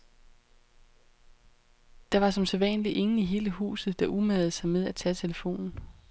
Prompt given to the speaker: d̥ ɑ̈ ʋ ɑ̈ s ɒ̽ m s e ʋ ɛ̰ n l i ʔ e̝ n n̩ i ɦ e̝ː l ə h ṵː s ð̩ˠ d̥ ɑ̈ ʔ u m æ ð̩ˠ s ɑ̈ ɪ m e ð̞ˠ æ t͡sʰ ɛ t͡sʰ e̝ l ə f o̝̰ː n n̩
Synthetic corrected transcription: d̥ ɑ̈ ʋ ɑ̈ s ɒ̽ m s e ʋ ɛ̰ n l i ʔ e̝ ŋ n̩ i ɦ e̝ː l ə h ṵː s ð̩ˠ d̥ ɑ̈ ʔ u m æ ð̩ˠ s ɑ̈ ɪ m e ð̞ˠ æ t͡sʰ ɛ t͡sʰ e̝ l ə f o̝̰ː n n̩